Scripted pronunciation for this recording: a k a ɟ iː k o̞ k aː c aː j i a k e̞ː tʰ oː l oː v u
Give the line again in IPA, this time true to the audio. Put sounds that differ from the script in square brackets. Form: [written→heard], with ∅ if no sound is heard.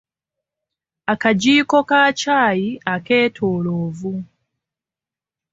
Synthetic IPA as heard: a k a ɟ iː k o̞ k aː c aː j i a k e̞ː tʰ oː l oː v u